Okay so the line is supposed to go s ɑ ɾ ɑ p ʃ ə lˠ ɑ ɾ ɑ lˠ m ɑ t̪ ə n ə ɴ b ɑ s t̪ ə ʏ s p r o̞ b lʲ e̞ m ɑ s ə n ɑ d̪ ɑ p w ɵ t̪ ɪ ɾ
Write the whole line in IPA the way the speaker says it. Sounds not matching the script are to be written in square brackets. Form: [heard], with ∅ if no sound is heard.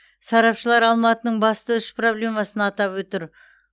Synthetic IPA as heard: s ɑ ɾ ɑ p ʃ ə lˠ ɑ ɾ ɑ lˠ m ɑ t̪ ə n ə ɴ b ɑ s t̪ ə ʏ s p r o̞ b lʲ e̞ m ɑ s ə n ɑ [t̪] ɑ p w ɵ t̪ ɪ ɾ